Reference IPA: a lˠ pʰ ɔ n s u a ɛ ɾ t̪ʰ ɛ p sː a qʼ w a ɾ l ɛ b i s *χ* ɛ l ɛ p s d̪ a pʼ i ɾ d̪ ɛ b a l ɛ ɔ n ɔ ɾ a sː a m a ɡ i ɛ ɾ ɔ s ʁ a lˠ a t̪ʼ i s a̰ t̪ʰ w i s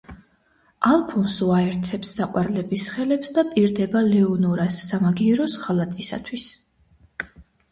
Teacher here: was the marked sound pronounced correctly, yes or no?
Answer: yes